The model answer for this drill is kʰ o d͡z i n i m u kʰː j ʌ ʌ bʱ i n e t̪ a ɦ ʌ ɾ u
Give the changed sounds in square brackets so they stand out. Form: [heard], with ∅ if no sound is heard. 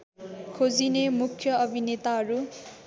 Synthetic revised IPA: kʰ o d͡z i n [e] m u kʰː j ʌ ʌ bʱ i n e t̪ a ɦ ʌ ɾ u